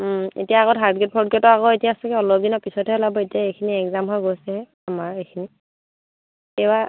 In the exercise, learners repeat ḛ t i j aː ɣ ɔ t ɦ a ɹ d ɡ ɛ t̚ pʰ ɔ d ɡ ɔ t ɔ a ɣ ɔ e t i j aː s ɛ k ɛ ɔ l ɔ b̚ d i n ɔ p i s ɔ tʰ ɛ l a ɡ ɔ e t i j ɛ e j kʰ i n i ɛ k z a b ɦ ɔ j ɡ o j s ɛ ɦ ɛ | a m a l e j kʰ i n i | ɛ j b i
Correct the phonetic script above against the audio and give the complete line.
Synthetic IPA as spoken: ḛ t i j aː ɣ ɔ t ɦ a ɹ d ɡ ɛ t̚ pʰ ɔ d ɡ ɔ t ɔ a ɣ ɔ e t i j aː s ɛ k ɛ ɔ l ɔ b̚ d i n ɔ p i s ɔ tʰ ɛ l a b ɔ e t i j a e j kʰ i n i ɛ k z a m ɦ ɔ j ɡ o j s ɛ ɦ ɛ | a m a ɹ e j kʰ i n i | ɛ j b a